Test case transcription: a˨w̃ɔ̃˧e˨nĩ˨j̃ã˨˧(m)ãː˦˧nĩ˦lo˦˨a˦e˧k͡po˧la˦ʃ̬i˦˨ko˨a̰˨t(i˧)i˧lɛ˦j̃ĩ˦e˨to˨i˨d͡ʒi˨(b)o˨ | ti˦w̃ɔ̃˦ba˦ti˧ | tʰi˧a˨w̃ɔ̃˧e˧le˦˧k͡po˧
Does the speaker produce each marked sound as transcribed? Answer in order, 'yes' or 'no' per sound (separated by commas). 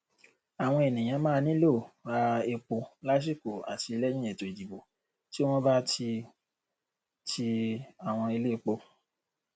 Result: yes, yes, yes